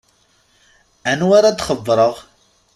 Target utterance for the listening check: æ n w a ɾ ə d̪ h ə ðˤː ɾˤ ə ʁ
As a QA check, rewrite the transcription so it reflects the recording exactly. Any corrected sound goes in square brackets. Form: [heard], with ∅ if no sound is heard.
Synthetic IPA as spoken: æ n w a ɾ [a] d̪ [χ] ə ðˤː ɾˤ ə ʁ